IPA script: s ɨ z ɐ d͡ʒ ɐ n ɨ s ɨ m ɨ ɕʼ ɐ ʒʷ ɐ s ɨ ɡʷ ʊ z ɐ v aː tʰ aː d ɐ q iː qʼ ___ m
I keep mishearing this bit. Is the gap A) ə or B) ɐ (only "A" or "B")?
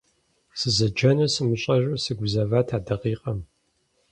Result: B